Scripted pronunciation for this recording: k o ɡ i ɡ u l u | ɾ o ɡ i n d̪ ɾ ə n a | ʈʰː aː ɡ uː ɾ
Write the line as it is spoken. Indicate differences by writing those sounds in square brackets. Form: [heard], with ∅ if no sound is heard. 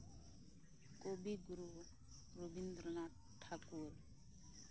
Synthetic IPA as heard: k o [b] i ɡ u [ɾ] u | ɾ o [b] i n d̪ ɾ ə n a | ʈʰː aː [k] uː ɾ